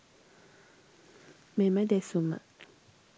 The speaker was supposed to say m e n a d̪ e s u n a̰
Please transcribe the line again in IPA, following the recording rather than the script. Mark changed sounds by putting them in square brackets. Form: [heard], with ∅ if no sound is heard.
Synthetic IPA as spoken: m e [m] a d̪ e s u [m] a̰